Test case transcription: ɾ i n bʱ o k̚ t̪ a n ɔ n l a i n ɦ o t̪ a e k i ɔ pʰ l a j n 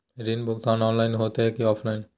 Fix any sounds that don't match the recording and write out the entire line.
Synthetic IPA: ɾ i n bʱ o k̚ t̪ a n ɔ n l a j n ɦ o t̪ e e k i ɔ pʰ l a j n